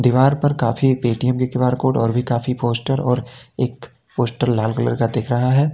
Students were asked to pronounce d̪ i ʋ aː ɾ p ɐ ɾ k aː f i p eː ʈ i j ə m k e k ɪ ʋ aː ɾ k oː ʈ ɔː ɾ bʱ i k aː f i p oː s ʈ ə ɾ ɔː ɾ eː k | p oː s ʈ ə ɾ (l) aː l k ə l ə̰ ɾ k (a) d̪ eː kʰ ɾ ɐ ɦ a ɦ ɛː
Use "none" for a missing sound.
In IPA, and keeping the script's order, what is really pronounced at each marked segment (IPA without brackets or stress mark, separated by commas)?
l, a